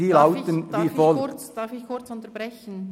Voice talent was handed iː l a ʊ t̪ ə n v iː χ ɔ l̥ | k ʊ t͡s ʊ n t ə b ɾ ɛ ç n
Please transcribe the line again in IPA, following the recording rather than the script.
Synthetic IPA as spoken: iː l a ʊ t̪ ə n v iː f ɔ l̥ | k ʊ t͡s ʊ n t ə b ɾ ɛ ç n